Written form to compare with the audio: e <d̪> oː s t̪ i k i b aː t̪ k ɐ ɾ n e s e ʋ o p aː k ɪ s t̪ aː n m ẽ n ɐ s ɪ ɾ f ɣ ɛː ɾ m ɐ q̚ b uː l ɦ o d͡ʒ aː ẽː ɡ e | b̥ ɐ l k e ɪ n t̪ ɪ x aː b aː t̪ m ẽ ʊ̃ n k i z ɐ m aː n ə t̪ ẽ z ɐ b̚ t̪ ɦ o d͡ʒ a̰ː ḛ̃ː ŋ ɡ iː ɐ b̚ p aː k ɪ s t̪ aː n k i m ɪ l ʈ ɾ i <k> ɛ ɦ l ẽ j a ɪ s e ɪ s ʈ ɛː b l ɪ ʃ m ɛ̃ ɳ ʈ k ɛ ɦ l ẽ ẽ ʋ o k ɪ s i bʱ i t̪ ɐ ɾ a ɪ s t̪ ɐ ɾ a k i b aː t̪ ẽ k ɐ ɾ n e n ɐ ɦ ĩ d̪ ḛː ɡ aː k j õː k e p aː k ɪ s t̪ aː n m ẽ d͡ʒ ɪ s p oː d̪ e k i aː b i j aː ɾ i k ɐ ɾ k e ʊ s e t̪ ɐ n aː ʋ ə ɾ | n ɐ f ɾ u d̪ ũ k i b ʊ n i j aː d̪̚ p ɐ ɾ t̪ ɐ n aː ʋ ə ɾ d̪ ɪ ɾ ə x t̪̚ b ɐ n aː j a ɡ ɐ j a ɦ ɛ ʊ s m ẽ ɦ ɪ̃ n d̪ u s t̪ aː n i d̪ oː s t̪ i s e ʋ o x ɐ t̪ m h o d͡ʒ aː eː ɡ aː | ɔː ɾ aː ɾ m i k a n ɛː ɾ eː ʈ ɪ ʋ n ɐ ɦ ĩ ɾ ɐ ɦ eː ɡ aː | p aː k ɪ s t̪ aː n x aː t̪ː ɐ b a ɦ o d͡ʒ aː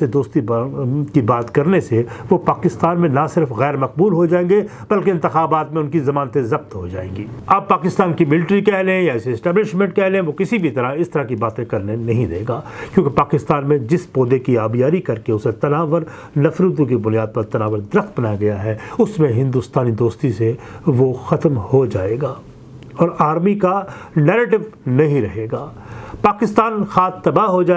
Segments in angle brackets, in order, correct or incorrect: correct, correct

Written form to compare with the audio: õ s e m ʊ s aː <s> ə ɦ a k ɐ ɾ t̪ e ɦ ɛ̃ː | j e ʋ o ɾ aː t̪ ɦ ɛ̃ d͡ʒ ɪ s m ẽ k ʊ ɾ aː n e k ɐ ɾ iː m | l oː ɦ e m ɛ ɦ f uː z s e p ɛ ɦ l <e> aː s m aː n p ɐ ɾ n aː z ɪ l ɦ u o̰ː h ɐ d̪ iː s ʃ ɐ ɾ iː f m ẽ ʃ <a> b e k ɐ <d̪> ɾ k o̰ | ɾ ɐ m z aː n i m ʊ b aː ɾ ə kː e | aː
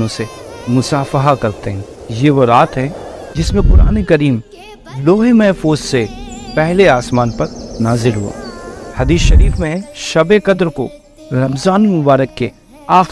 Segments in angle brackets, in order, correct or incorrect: incorrect, correct, incorrect, correct

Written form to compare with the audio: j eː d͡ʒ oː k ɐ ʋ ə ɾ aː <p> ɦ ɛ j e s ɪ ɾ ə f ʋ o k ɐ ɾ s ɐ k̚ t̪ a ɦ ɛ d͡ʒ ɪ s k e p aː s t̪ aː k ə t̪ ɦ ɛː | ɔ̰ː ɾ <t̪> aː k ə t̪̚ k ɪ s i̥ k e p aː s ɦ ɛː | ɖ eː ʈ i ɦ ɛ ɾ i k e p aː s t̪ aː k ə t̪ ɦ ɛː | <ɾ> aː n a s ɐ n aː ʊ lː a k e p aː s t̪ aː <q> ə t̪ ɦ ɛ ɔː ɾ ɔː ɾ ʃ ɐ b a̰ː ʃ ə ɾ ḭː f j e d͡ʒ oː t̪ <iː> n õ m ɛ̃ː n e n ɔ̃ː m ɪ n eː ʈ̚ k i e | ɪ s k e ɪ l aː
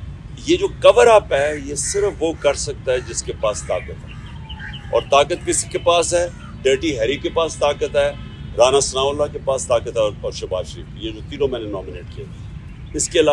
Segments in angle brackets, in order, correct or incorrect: correct, correct, correct, incorrect, correct

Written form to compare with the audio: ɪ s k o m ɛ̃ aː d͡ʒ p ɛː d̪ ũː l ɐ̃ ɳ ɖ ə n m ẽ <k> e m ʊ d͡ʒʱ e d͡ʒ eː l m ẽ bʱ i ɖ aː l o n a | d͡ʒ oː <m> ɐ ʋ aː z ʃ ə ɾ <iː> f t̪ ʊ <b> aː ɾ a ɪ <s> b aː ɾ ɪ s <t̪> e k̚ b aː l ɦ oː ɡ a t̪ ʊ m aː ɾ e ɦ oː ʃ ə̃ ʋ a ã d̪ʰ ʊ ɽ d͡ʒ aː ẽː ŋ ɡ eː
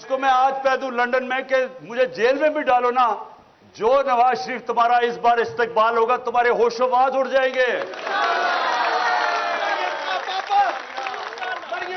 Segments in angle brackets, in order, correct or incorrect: correct, incorrect, correct, incorrect, correct, correct

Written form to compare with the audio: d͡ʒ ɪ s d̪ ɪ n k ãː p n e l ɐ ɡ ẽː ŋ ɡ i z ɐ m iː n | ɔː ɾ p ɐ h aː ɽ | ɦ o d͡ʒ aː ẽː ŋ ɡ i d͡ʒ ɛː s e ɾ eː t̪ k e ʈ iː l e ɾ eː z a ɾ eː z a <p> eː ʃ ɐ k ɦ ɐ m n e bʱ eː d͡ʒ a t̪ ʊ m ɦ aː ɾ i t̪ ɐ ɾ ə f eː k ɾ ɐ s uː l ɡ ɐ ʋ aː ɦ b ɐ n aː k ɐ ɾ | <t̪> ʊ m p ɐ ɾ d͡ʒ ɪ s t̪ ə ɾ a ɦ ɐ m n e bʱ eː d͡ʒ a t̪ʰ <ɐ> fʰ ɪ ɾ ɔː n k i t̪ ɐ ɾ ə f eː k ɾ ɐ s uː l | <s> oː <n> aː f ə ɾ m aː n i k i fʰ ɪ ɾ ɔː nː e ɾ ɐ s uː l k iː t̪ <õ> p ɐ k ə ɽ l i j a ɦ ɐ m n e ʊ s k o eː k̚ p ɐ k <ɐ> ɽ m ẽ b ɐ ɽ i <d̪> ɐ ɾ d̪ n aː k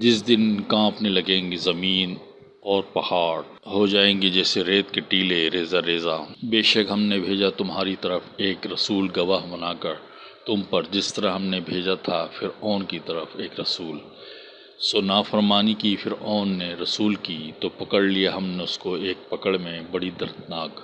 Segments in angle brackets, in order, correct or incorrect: incorrect, correct, incorrect, correct, correct, incorrect, incorrect, correct

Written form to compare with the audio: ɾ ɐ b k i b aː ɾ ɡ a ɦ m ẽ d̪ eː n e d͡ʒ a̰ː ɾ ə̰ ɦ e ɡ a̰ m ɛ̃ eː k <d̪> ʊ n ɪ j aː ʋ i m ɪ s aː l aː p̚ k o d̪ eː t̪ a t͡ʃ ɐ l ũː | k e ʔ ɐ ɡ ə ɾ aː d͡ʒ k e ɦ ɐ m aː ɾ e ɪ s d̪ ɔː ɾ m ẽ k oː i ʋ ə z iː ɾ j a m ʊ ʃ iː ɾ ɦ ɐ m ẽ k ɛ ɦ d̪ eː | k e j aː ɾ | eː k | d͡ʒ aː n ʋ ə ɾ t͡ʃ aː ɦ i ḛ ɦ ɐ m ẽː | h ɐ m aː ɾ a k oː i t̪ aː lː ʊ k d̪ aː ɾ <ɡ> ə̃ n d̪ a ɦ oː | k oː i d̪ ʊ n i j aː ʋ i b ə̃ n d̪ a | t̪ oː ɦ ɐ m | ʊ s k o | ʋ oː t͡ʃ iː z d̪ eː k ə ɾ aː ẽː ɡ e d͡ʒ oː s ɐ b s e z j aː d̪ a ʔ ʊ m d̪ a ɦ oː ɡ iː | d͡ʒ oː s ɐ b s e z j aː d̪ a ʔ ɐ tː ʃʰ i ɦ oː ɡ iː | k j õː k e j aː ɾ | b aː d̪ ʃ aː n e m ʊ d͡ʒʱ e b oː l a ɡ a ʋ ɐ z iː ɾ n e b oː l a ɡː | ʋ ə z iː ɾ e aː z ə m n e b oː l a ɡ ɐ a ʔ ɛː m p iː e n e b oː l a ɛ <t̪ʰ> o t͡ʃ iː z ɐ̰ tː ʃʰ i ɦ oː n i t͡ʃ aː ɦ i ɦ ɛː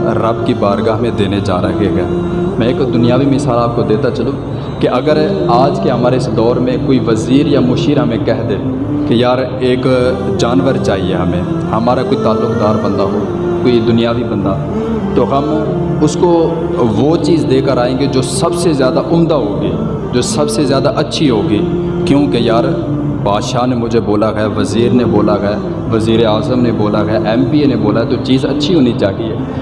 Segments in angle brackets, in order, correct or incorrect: correct, incorrect, incorrect

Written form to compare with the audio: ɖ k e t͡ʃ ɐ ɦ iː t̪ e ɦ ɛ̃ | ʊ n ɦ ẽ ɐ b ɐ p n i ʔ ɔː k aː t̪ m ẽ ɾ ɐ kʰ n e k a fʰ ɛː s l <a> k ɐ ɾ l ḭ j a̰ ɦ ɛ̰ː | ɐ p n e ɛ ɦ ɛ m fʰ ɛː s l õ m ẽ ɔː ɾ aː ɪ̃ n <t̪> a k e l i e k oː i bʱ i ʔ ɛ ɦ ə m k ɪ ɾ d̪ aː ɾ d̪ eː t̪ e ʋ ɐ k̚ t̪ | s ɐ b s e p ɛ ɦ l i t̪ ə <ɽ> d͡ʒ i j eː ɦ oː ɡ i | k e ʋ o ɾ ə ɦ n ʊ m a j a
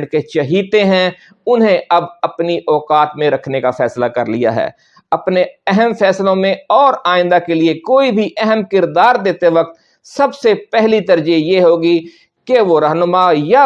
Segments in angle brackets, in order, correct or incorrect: correct, incorrect, incorrect

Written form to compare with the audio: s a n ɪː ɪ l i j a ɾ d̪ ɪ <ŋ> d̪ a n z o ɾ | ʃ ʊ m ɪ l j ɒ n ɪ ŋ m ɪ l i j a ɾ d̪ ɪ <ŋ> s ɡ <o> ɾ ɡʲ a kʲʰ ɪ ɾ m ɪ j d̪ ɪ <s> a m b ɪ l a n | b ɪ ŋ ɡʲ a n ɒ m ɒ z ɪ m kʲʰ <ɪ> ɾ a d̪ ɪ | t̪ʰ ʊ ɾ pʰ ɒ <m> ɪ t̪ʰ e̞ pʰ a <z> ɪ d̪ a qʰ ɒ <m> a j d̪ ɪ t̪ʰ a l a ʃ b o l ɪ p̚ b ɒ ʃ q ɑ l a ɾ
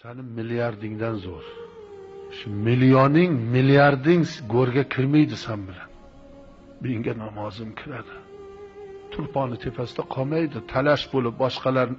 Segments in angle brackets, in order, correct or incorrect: correct, correct, correct, correct, correct, incorrect, incorrect, correct

